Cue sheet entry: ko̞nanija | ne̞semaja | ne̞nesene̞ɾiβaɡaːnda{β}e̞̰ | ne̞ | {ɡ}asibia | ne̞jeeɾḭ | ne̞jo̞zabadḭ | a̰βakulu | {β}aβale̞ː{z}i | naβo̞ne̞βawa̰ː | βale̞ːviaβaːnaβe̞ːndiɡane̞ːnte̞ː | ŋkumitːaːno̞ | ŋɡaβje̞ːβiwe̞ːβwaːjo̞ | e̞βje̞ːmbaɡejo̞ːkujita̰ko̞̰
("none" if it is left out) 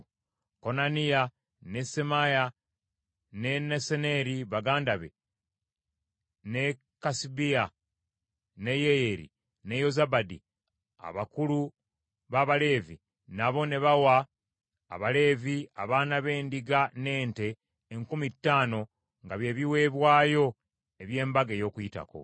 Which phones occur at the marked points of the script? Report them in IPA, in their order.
β, k, β, v

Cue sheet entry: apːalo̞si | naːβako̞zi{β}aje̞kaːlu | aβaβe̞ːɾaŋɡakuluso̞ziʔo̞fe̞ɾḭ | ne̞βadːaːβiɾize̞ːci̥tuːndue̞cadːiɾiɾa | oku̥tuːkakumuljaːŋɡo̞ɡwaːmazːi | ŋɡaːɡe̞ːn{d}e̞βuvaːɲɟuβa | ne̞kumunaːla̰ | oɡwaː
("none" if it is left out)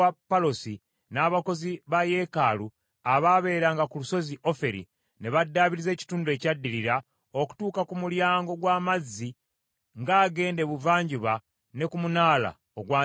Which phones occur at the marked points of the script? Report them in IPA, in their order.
β, d

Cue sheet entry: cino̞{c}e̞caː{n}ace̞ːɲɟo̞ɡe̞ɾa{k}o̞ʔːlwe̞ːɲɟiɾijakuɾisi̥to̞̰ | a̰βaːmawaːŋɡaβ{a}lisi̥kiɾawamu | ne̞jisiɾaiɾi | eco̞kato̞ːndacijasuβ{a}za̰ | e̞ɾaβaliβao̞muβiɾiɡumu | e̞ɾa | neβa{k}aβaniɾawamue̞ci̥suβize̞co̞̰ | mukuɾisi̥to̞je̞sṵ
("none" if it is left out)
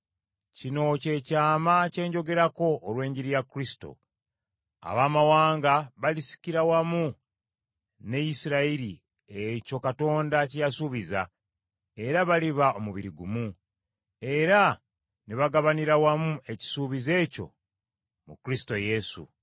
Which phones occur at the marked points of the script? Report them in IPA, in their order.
c, m, k, a, i, ɡ

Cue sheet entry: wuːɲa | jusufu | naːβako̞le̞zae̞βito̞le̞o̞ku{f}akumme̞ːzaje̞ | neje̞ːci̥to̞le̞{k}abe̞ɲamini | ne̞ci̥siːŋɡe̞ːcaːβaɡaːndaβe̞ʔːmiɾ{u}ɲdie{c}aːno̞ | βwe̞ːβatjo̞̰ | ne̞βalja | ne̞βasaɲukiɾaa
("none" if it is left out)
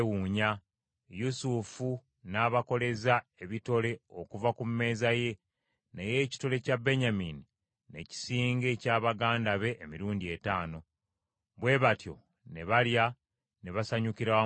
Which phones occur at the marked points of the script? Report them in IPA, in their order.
v, c, uː, t

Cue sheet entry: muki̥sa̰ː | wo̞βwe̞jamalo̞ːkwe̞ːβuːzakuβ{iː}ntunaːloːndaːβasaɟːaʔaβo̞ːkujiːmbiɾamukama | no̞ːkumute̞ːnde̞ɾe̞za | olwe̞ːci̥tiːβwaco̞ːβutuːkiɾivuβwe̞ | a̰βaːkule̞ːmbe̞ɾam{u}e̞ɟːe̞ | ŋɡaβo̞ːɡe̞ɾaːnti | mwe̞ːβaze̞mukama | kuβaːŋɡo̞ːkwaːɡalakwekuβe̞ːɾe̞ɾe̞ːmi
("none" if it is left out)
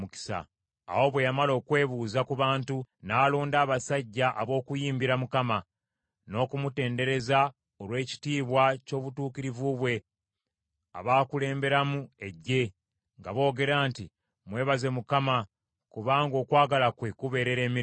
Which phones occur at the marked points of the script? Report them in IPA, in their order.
aː, u

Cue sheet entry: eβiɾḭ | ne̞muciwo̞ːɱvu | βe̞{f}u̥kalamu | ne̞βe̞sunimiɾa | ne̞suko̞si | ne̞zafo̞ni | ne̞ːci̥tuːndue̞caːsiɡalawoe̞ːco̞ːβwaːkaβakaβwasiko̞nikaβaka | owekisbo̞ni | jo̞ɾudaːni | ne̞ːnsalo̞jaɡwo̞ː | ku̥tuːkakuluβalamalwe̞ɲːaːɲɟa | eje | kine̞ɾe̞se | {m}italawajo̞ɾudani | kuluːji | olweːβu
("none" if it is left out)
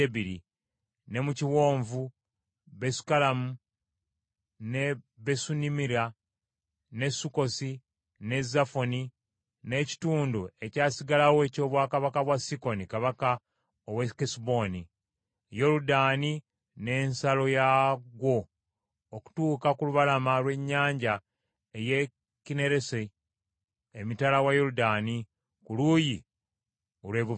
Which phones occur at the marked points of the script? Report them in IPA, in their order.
s, m

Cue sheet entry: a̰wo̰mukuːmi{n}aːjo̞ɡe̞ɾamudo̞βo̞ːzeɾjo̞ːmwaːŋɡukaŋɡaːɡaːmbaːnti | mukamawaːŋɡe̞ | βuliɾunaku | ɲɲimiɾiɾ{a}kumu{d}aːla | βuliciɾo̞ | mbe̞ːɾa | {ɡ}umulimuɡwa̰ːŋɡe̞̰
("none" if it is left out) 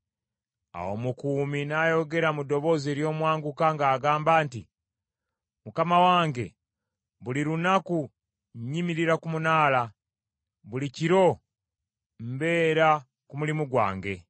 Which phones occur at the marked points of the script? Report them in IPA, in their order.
n, a, n, k

